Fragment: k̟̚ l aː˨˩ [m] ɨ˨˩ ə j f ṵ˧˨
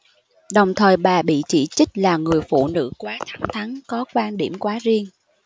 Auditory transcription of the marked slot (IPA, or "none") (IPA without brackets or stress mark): ŋ